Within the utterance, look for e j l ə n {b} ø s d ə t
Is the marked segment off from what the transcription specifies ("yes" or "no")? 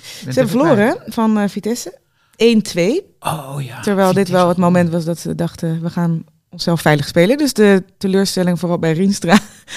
yes